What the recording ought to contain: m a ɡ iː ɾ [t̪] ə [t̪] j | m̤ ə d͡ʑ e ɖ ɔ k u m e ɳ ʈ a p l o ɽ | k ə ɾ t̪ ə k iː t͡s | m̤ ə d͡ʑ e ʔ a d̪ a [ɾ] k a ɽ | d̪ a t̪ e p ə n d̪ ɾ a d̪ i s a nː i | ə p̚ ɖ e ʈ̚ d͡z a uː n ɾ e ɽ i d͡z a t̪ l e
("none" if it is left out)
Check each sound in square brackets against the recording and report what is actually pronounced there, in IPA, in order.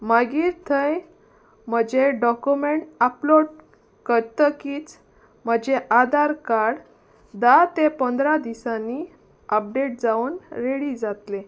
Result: t̪ʰ, none, ɾ

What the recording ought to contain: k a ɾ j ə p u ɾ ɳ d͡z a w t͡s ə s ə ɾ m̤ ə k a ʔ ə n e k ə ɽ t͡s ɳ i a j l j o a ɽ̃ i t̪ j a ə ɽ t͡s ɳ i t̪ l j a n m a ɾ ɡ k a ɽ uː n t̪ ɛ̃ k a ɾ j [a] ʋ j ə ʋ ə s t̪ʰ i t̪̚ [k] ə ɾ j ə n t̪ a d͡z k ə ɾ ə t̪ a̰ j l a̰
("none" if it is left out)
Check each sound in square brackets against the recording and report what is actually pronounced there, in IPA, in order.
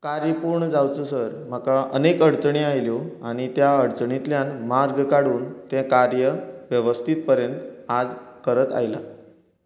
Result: ə, p

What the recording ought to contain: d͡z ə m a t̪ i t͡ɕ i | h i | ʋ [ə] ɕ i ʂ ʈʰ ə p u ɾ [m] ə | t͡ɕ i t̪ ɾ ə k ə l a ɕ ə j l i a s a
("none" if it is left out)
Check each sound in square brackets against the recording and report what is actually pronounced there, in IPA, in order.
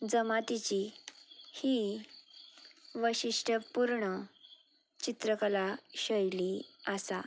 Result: ə, ɳ

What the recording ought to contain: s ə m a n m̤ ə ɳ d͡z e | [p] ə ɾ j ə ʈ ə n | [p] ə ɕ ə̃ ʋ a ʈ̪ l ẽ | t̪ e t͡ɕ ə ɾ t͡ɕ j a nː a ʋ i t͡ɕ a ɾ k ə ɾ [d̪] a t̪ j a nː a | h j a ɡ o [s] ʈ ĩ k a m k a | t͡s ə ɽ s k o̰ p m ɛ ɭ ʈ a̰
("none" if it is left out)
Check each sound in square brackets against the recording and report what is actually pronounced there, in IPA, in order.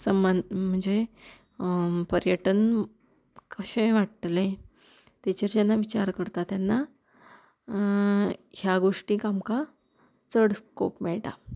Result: p, k, t̪, ʂ

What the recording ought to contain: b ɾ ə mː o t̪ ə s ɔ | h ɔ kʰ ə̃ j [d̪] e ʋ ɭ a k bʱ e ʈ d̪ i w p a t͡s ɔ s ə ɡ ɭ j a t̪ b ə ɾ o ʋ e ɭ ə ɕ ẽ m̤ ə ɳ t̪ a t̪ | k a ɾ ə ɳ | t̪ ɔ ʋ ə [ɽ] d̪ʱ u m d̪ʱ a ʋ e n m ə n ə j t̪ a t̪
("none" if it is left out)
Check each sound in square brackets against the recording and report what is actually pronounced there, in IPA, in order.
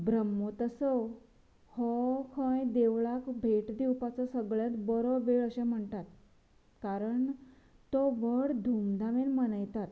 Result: d̪, ɽ

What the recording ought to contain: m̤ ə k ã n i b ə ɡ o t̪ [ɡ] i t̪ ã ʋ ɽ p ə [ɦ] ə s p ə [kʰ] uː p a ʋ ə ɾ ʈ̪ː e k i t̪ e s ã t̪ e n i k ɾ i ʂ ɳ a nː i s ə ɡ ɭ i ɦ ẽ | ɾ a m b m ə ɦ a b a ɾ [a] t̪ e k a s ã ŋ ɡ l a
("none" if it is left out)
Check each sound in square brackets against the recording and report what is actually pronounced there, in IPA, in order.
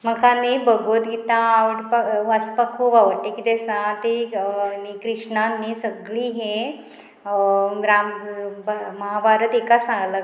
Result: ɡ, none, kʰ, ə

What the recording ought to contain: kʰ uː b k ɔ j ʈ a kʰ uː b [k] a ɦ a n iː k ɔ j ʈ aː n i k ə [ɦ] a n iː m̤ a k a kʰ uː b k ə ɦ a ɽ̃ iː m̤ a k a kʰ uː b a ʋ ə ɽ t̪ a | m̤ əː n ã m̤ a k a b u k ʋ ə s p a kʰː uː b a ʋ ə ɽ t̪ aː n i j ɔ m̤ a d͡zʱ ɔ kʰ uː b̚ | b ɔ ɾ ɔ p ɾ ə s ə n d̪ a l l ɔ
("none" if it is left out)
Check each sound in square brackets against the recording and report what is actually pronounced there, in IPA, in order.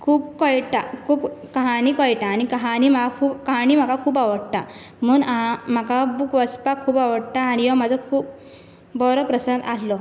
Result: k, ɦ

